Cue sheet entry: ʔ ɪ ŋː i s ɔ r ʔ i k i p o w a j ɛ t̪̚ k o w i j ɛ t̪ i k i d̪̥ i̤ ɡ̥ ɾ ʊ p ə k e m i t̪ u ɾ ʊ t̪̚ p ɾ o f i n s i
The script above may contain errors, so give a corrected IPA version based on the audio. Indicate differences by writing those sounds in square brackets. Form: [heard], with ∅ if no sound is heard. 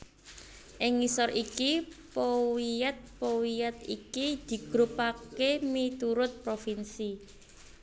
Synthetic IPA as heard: ʔ ɪ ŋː i s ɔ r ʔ i k i p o w [i] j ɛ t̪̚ [p] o w i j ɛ t̪ i k i d̪̥ i̤ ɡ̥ ɾ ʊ p [a] k e m i t̪ u ɾ ʊ t̪̚ p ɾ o f i n s i